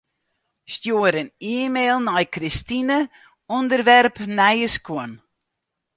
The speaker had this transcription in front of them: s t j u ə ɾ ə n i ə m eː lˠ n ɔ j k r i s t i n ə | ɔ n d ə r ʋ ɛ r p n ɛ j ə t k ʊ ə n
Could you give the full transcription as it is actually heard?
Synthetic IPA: s t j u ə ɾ ə n i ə m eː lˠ n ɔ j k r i s t i n ə | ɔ n d ə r ʋ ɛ r p n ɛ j ə s k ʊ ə n